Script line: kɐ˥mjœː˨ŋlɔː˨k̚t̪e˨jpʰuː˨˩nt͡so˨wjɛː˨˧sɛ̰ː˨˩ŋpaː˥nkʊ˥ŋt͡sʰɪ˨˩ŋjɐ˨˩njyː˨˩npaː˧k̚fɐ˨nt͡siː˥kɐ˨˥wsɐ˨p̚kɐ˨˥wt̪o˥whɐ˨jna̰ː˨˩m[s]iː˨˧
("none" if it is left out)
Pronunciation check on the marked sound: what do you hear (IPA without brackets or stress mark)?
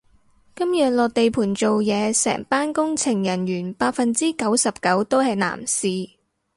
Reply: s